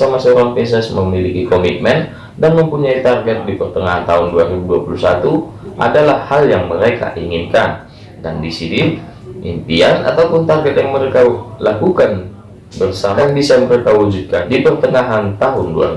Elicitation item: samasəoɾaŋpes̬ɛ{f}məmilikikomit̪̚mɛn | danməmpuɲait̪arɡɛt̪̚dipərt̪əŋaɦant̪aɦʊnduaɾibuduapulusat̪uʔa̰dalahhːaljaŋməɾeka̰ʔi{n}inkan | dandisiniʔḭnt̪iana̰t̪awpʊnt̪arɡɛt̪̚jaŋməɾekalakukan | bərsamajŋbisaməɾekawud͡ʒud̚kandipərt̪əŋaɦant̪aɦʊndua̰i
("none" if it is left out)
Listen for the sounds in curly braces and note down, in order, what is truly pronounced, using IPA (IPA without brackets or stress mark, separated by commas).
s, ŋ